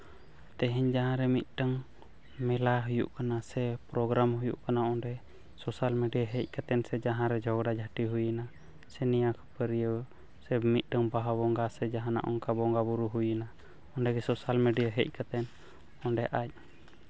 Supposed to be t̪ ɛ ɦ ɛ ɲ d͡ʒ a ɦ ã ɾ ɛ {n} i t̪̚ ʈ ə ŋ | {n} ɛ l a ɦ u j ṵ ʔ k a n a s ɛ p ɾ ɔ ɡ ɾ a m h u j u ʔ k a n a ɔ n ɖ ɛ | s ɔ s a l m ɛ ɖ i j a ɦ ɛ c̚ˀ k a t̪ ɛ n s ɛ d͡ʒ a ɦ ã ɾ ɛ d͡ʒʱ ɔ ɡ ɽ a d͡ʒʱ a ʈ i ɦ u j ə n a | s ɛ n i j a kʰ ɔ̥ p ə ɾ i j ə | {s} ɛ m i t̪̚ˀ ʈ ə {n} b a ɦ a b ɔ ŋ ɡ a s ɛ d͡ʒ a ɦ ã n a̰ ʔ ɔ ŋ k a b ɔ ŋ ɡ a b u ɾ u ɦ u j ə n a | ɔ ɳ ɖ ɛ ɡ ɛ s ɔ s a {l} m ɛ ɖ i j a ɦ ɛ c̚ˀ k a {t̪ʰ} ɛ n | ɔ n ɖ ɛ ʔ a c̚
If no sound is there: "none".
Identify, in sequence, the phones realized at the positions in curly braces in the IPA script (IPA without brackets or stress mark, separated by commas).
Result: m, m, s, ŋ, l, t̪